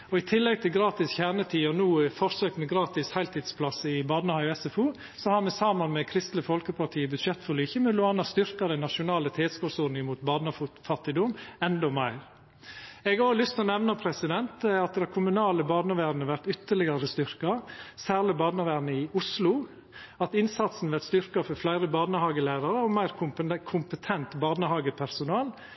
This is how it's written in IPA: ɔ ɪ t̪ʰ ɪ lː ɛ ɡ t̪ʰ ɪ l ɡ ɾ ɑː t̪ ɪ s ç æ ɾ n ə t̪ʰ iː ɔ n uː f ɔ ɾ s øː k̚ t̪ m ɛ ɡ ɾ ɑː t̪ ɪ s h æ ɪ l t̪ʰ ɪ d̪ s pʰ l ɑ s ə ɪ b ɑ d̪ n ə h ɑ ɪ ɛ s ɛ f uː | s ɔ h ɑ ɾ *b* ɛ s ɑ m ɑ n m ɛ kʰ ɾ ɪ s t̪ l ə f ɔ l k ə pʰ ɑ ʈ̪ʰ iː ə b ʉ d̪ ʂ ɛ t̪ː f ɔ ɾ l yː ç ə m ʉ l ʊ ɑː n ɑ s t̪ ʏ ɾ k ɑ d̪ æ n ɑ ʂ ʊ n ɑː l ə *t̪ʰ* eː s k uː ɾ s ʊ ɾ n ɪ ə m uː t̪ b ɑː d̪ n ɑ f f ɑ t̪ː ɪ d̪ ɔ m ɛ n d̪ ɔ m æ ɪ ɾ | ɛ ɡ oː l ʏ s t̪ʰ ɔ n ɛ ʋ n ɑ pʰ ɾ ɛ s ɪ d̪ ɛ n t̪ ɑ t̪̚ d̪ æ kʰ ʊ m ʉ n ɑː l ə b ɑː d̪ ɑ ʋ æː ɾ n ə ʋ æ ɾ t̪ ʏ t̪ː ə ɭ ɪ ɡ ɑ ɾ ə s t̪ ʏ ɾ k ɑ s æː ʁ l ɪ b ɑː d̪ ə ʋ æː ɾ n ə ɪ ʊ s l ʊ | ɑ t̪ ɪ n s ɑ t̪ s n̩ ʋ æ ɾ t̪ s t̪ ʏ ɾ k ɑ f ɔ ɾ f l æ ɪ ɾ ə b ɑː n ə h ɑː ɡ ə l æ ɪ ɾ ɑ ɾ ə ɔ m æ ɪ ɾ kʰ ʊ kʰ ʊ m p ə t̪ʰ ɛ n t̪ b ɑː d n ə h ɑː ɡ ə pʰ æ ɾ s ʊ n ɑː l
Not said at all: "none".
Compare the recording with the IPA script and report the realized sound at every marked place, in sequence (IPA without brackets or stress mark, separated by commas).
m, t̪ʰ